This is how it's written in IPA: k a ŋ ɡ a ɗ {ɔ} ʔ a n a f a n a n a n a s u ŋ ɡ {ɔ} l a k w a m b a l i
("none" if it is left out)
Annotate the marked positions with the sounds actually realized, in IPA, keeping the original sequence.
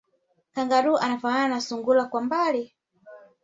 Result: u, u

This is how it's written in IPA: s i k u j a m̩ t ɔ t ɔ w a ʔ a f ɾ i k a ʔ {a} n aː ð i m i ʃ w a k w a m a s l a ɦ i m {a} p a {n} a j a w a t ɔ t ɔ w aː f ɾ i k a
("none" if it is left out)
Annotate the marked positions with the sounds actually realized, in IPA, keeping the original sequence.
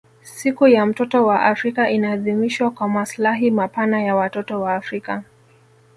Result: i, a, n

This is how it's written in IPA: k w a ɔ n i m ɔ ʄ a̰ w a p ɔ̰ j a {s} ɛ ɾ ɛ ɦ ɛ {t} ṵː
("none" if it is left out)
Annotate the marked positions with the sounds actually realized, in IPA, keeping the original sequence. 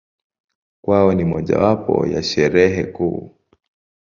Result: ʃ, k

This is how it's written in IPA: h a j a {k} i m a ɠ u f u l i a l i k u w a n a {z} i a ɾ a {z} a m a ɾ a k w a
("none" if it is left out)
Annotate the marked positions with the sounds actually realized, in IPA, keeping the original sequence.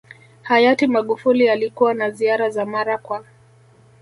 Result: t, z, z

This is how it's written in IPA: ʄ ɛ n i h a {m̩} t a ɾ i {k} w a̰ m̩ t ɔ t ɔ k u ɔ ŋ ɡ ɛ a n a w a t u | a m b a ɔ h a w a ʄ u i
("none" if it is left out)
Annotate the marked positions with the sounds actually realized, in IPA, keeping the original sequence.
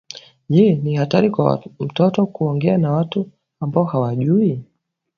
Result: none, k

